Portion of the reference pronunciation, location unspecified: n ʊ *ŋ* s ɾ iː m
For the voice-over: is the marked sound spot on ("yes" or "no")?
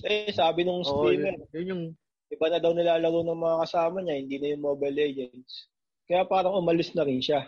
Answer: yes